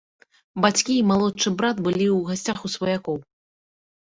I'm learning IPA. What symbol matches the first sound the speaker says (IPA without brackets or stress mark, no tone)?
b